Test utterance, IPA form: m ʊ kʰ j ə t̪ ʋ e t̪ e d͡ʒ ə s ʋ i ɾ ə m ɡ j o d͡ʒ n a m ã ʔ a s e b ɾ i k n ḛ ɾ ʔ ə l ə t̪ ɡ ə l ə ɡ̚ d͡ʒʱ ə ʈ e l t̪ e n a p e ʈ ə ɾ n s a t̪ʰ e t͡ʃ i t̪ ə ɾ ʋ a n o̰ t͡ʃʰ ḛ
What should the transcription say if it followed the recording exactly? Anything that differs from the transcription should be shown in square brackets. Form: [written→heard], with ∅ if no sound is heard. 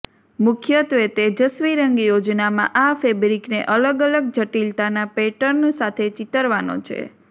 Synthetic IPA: m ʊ kʰ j ə t̪ ʋ e t̪ e d͡ʒ ə s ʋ i ɾ ə [m→ŋ] ɡ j o d͡ʒ n a m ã ʔ a [s→f] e b ɾ i k n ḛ [ɾ→∅] ʔ ə l ə [t̪→∅] ɡ ə l ə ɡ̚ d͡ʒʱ ə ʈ [e→i] l t̪ [e→a] n a p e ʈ ə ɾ n s a t̪ʰ e t͡ʃ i t̪ ə ɾ ʋ a n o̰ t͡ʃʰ ḛ